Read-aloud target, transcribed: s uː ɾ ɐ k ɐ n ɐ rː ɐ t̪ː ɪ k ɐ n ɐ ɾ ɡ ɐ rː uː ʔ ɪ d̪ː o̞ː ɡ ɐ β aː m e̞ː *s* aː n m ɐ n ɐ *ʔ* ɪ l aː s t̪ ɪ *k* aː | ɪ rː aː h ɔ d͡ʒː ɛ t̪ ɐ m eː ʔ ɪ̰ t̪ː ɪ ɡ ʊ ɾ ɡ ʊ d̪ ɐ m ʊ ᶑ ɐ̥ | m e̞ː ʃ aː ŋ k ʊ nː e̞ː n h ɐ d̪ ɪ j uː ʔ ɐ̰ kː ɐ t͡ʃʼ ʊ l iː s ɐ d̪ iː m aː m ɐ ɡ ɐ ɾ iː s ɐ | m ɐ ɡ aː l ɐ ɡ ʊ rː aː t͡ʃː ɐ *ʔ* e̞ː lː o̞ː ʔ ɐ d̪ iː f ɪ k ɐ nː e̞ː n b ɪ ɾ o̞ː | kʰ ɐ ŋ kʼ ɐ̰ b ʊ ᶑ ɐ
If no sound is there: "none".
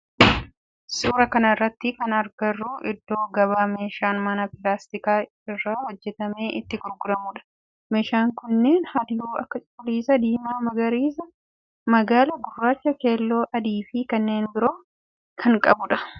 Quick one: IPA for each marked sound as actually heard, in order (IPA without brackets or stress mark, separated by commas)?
ʃ, p, k, k